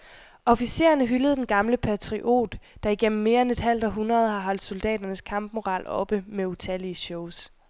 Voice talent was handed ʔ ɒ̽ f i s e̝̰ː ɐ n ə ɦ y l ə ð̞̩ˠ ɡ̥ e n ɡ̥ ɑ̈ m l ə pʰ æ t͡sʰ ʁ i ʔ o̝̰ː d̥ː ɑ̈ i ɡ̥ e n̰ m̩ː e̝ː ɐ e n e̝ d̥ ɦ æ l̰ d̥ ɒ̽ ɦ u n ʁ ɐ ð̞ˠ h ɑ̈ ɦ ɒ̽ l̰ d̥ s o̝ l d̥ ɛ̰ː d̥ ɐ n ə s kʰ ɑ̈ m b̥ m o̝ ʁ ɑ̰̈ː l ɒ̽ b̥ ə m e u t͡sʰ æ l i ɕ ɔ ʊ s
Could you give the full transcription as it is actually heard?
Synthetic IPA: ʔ ɒ̽ f i s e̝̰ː ɐ n ə ɦ y l ə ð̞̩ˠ d̥ e n ɡ̥ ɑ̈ m l ə pʰ æ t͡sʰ ʁ i ʔ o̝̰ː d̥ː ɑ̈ i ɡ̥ e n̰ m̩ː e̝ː ɐ e n e̝ d̥ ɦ æ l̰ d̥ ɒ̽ ɦ u n ʁ ɐ ð̞ˠ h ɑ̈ ɦ ɒ̽ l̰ d̥ s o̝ l d̥ ɛ̰ː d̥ ɐ n ə s kʰ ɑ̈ m b̥ m o̝ ʁ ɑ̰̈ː l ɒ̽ b̥ ə m e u t͡sʰ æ l i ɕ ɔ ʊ s